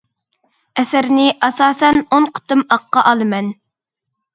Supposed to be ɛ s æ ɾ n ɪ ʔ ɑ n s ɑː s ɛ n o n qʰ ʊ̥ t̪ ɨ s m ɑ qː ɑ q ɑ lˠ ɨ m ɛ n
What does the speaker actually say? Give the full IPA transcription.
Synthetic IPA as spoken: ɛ s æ ɾ n ɪ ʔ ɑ s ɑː s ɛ n o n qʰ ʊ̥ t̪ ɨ m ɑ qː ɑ ʔ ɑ lˠ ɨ m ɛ n